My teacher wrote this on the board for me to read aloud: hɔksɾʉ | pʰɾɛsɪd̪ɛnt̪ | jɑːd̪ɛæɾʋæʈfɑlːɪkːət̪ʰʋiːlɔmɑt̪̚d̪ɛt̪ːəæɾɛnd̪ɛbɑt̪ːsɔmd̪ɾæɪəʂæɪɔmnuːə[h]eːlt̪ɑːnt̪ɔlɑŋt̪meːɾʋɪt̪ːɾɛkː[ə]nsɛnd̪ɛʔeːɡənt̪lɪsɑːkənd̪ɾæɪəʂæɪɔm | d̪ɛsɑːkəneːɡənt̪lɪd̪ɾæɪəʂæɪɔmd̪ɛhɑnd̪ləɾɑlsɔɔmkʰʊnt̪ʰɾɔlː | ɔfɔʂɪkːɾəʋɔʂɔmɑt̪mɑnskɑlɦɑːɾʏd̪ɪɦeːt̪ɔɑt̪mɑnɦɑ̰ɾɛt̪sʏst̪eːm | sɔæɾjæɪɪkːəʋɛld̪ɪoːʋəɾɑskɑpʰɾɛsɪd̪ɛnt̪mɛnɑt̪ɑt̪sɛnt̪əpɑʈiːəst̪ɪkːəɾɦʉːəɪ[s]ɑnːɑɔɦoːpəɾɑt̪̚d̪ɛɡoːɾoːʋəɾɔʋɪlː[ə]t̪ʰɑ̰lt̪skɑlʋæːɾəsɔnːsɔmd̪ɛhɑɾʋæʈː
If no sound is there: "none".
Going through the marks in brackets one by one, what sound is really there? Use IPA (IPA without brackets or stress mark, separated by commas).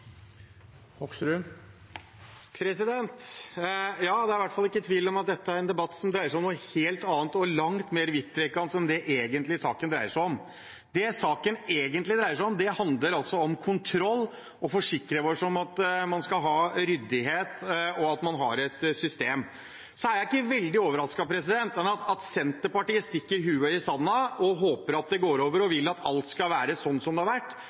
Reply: h, ɑ, s, ɑ